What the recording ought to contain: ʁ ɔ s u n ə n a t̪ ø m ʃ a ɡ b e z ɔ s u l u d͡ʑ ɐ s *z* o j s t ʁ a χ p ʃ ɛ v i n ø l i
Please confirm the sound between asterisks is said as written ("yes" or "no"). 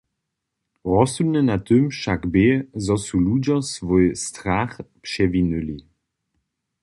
no